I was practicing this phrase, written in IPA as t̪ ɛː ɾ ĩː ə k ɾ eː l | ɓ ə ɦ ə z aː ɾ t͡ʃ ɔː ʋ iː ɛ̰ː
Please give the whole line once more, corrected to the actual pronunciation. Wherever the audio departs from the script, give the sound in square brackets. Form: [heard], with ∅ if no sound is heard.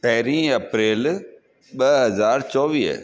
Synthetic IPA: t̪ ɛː ɾ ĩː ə [p] ɾ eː l | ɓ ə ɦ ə z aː ɾ t͡ʃ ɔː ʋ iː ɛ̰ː